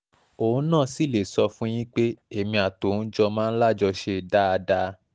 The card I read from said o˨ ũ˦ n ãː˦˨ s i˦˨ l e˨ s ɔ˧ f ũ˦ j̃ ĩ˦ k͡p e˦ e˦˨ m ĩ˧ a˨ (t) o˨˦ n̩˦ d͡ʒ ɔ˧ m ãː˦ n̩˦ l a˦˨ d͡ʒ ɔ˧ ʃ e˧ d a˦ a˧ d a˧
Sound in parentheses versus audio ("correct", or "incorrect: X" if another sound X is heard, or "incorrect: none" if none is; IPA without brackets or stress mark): correct